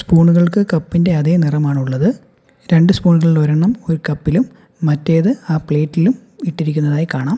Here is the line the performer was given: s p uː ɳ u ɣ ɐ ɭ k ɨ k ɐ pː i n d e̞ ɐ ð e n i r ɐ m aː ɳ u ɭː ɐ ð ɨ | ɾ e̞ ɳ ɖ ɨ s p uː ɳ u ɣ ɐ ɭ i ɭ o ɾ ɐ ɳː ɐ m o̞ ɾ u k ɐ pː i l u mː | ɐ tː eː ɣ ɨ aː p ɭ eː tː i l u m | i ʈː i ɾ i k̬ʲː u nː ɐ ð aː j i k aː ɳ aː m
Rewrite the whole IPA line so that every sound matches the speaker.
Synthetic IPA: s p uː ɳ u ɣ ɐ ɭ k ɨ k ɐ pː i n d e̞ ɐ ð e n i r ɐ m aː ɳ u ɭː ɐ ð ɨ | ɾ e̞ ɳ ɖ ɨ s p uː ɳ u ɣ ɐ ɭ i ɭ o ɾ ɐ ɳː ɐ m o̞ ɾ u k ɐ pː i l u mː | ɐ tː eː ð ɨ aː p ɭ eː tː i l u m | i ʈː i ɾ i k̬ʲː u nː ɐ ð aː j i k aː ɳ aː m